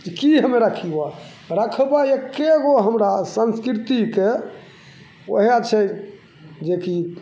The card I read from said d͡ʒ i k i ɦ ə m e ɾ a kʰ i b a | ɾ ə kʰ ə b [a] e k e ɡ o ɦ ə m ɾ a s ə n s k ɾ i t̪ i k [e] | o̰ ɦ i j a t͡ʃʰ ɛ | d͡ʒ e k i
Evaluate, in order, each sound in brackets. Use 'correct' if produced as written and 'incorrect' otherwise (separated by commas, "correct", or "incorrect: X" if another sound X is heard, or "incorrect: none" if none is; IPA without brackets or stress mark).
correct, correct